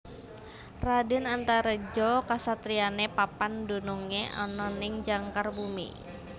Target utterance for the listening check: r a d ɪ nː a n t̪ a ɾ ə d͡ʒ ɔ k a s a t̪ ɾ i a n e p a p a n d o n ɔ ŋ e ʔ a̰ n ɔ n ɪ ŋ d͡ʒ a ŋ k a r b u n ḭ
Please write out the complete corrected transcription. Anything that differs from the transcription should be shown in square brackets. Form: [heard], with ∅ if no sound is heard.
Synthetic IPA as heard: r a d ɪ [n] a n t̪ a ɾ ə d͡ʒ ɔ k a s a t̪ ɾ i a n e p a p a n d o n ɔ ŋ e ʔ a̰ n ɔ n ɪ ŋ d͡ʒ a ŋ k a r b u [m] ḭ

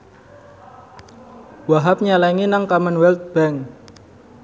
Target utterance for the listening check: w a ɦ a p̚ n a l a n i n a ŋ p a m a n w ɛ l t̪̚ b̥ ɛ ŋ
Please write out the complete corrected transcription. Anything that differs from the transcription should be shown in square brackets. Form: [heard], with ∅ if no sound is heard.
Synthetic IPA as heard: w a ɦ a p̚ [ɲ] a l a [ŋ] i n a ŋ [k] a m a n w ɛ l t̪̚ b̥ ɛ ŋ

